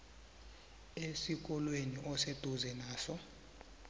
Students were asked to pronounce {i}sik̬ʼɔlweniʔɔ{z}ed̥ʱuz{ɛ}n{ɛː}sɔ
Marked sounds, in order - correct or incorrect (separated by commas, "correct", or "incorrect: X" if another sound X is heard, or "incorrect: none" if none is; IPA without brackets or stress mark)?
incorrect: e, incorrect: s, correct, incorrect: aː